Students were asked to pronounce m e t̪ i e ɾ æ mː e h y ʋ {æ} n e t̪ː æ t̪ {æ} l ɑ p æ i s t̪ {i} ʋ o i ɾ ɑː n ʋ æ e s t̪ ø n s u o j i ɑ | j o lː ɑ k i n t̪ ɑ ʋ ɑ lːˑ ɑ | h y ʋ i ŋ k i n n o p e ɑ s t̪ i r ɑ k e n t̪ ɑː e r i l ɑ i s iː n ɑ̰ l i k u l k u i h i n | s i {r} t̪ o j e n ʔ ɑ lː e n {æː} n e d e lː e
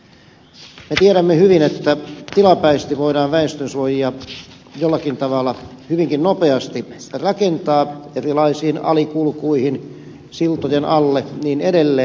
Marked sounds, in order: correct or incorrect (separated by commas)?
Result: incorrect, incorrect, correct, incorrect, incorrect